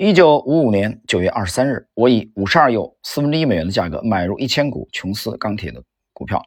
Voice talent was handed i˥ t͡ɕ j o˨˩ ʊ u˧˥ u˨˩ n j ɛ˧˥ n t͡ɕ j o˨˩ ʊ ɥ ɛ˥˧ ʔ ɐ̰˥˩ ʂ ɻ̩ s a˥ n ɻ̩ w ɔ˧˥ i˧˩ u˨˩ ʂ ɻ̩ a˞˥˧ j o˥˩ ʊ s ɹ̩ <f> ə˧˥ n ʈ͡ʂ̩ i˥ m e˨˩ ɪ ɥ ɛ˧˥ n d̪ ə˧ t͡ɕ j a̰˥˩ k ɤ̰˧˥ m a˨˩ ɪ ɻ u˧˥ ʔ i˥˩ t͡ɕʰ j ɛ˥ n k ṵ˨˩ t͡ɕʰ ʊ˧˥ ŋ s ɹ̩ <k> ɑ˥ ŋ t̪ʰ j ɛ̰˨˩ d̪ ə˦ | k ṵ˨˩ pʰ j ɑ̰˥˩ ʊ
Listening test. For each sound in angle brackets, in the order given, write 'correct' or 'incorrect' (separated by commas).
correct, correct